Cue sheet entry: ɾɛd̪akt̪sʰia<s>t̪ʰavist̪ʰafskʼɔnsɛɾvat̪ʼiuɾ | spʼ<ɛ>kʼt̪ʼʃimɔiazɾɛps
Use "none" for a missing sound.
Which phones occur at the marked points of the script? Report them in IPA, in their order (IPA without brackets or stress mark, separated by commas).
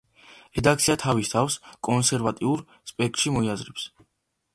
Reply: none, ɛ